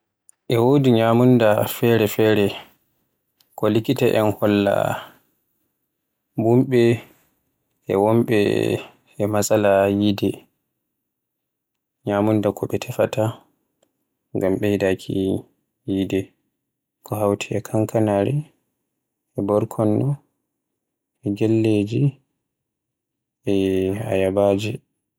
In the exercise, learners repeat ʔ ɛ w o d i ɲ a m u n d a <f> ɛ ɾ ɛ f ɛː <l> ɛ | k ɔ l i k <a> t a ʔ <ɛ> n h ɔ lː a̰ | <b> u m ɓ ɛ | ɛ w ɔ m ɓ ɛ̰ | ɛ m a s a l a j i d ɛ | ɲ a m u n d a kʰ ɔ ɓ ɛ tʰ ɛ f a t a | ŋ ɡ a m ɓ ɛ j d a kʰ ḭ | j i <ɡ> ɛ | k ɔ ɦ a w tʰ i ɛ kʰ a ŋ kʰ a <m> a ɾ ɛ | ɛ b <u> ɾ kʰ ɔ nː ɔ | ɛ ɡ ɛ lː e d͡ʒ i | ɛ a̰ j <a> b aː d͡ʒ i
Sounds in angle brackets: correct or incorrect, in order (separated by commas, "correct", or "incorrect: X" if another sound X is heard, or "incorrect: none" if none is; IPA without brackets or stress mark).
correct, incorrect: ɾ, incorrect: i, correct, correct, incorrect: d, incorrect: n, incorrect: ɔ, correct